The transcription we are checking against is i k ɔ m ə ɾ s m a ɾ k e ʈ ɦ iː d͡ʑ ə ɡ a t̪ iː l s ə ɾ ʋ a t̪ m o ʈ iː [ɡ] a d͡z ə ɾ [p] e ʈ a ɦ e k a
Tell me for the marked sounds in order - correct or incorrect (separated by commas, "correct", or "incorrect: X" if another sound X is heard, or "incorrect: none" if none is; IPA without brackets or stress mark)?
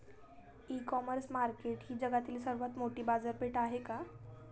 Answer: incorrect: b, correct